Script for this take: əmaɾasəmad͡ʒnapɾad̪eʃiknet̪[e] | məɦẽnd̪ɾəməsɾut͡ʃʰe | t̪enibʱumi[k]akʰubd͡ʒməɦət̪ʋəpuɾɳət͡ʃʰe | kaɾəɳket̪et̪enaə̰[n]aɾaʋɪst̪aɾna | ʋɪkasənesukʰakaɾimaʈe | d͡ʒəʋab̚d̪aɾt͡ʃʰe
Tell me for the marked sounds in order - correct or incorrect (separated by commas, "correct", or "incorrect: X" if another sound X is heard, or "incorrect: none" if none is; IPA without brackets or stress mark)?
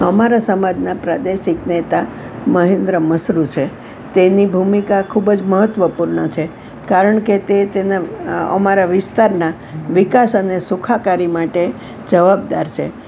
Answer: incorrect: a, correct, incorrect: m